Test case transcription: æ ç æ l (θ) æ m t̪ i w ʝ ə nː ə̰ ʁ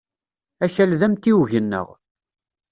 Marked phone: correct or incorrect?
incorrect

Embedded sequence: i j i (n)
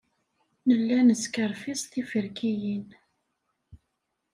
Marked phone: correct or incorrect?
correct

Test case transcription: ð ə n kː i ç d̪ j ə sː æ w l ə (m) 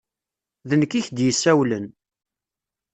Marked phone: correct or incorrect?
incorrect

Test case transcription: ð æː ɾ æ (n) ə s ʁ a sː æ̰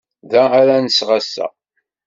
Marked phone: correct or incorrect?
correct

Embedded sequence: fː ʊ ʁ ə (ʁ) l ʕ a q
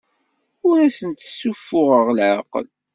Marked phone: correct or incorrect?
correct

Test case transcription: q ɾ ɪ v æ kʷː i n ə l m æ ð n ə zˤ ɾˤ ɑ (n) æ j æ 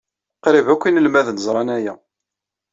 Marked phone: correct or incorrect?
correct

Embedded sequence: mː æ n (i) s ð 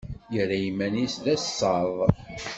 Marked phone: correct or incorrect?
correct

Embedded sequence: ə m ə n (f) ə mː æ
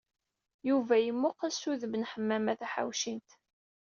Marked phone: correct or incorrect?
incorrect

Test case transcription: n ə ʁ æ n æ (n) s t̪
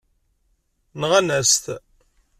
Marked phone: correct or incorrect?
incorrect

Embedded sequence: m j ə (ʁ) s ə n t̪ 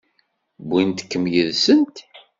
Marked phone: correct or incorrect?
incorrect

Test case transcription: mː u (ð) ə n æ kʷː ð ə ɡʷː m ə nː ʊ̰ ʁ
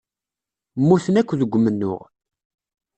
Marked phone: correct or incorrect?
incorrect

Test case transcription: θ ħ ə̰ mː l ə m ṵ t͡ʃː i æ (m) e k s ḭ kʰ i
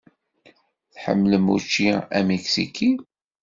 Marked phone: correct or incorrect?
correct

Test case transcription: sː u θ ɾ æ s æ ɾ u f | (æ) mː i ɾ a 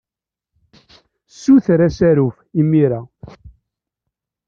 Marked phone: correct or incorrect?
incorrect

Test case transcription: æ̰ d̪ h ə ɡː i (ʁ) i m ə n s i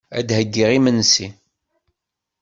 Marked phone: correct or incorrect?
correct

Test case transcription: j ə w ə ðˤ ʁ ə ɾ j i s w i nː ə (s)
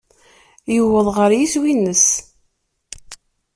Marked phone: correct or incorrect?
correct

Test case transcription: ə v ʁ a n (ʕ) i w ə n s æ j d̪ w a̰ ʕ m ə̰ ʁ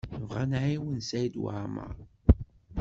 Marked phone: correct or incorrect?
correct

